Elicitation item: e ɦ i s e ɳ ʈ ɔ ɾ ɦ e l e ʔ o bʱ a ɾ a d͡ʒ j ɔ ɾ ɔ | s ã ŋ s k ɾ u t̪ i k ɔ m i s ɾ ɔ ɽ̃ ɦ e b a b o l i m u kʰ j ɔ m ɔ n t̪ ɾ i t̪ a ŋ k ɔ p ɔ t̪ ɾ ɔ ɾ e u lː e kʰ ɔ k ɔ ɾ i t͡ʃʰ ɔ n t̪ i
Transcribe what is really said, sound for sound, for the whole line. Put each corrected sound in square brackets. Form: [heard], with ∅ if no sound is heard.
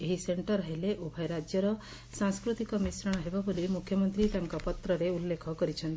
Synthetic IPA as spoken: e ɦ i s e ɳ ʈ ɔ ɾ ɦ e l e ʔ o bʱ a ɾ a d͡ʒ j ɔ ɾ ɔ | s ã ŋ s k ɾ u t̪ i k ɔ m i s ɾ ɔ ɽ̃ ɦ e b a b o l i m u kʰ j ɔ m ɔ n t̪ ɾ i t̪ a ŋ k ɔ p ɔ t̪ ɾ ɔ ɾ e u lː e kʰ ɔ k ɔ ɾ i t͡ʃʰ ɔ n t̪ i